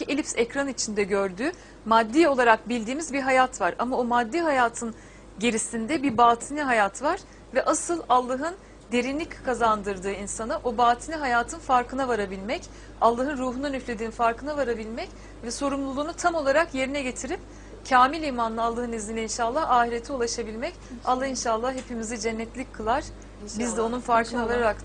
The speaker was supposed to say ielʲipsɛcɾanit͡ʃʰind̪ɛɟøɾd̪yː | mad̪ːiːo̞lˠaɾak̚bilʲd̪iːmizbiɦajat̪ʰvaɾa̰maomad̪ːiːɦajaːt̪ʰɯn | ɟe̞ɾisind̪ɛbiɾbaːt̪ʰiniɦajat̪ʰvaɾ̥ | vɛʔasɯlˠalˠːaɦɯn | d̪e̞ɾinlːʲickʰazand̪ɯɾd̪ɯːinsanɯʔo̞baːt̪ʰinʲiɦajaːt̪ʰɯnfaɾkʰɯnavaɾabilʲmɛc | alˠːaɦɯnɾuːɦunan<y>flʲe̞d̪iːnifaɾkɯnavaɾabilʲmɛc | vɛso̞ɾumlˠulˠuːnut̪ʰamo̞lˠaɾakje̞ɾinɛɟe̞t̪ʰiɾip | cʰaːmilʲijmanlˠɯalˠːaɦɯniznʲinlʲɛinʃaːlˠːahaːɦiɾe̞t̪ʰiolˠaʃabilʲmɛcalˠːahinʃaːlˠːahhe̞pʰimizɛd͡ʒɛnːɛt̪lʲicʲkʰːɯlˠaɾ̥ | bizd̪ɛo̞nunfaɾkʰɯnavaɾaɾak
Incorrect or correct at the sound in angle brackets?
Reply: correct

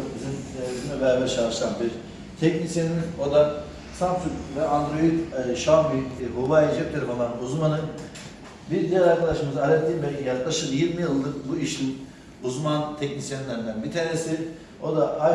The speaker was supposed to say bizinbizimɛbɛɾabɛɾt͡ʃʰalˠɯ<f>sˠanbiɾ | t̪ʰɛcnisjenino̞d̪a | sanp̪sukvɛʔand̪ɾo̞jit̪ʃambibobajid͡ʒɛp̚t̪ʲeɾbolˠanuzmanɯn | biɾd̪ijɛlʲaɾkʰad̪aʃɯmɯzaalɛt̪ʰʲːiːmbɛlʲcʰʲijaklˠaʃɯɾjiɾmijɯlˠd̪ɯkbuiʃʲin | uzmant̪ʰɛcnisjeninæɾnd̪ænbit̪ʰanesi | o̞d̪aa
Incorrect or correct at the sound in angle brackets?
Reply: incorrect: ʃ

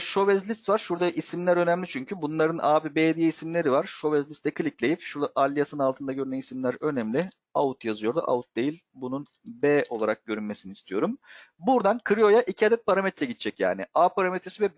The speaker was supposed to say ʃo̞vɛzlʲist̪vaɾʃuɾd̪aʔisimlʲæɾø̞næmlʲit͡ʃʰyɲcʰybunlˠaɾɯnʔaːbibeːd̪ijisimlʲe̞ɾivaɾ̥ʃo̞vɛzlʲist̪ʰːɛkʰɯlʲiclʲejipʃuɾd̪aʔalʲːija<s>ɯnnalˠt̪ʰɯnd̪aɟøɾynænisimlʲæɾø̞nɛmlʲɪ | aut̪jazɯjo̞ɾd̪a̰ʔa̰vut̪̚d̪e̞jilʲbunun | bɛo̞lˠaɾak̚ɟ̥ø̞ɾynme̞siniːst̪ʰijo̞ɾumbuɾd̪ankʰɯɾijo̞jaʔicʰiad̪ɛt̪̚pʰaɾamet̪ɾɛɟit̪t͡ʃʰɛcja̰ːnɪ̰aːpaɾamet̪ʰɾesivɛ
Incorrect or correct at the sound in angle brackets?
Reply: correct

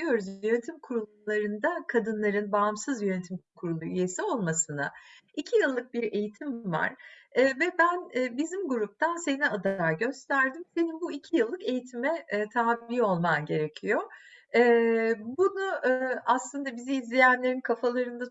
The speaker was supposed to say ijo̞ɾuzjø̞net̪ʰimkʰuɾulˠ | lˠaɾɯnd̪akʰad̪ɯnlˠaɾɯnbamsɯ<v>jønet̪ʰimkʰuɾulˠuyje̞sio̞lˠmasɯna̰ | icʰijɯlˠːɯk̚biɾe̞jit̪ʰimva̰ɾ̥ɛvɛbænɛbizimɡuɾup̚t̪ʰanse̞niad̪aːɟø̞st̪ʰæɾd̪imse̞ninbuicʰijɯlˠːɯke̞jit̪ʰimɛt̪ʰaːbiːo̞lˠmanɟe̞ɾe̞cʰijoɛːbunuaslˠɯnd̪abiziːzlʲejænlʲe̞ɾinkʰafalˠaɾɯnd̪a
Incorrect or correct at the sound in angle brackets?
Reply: incorrect: z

